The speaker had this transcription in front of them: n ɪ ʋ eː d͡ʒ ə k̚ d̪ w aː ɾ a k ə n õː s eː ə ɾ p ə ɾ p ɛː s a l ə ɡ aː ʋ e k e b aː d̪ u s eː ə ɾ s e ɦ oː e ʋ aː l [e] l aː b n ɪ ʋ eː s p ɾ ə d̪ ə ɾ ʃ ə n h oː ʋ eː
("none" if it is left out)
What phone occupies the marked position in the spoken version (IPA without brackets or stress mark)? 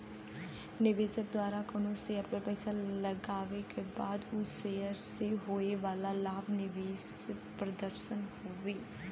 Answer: a